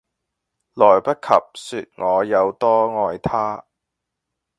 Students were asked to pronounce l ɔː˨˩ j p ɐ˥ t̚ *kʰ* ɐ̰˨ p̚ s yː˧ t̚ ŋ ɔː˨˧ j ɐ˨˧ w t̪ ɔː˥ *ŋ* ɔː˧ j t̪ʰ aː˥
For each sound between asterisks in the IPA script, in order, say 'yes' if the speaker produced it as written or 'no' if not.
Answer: yes, yes

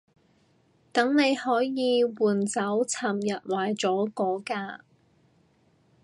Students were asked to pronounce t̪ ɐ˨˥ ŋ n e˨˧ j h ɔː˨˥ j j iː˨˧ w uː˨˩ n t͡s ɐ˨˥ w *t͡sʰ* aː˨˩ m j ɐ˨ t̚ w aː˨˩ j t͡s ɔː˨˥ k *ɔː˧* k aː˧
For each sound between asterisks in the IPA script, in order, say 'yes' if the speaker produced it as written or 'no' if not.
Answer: yes, no

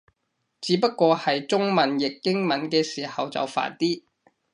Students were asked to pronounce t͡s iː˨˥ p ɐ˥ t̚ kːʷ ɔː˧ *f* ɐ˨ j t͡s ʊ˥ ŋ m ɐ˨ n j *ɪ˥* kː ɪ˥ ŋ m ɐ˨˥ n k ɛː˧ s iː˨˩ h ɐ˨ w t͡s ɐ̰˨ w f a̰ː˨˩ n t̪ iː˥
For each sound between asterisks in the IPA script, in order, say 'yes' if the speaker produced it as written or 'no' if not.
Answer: no, no

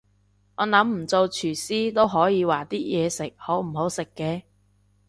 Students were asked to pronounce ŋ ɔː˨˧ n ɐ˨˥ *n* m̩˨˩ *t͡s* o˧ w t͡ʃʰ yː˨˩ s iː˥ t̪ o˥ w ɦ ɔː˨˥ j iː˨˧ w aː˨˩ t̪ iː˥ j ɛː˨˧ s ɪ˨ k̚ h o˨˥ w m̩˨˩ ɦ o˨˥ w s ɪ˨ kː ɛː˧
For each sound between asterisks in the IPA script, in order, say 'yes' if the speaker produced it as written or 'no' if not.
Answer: no, yes

